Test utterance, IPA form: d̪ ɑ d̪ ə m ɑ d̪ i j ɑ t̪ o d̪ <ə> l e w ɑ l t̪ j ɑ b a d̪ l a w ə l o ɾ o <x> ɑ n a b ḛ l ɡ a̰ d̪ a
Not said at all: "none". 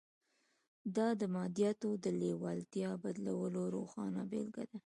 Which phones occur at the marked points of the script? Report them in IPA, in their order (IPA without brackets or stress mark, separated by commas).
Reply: ə, x